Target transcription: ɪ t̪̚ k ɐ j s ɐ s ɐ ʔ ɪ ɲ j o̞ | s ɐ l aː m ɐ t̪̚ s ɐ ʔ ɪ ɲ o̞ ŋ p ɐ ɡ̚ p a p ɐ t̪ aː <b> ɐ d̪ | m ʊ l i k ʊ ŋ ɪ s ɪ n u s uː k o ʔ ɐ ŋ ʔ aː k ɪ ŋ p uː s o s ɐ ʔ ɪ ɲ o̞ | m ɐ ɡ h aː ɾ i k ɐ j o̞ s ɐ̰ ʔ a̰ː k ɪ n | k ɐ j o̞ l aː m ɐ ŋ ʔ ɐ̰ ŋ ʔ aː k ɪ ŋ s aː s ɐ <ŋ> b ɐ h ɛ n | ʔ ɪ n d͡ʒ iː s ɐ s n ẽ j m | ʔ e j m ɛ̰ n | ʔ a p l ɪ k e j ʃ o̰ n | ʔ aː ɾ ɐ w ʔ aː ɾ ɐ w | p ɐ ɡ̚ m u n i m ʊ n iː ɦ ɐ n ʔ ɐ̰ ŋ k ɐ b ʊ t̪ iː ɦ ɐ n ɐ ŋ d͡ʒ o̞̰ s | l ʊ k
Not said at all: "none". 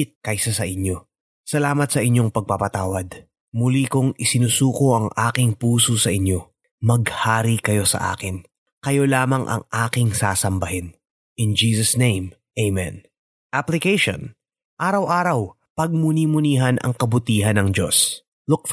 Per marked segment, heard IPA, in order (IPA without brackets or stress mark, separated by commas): w, m